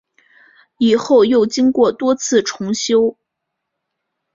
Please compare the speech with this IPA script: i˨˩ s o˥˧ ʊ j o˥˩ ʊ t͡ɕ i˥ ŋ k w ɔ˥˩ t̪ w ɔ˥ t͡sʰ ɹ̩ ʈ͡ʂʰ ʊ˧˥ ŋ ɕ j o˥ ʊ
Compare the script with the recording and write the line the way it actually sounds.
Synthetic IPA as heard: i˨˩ x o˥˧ ʊ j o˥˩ ʊ t͡ɕ i˥ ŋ k w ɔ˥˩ t̪ w ɔ˥ t͡sʰ ɹ̩ ʈ͡ʂʰ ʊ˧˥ ŋ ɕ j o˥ ʊ